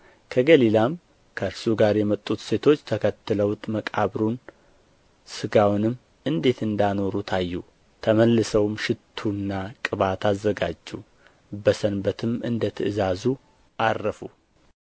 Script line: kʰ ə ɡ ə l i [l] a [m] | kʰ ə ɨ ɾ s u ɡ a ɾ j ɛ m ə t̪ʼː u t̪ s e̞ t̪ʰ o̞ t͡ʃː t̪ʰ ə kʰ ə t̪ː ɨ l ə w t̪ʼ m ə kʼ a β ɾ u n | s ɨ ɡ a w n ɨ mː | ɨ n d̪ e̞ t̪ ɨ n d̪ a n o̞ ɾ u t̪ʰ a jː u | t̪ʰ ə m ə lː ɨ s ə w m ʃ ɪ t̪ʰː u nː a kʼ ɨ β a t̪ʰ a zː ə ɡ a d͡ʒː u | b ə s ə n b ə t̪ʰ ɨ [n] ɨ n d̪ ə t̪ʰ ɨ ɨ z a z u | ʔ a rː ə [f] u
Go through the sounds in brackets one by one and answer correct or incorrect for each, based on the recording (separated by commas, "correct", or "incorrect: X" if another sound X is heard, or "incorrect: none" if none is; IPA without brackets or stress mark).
correct, correct, incorrect: m, correct